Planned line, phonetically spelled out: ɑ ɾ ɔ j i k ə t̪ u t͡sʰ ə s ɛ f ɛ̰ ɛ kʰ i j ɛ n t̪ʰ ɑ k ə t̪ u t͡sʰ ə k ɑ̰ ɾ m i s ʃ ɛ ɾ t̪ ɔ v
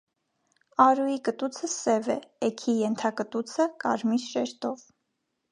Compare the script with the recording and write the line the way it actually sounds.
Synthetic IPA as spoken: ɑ ɾ u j i k ə t̪ u t͡sʰ ə s ɛ v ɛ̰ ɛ kʰ i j ɛ n t̪ʰ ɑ k ə t̪ u t͡sʰ ə k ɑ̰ ɾ m i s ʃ ɛ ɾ t̪ ɔ v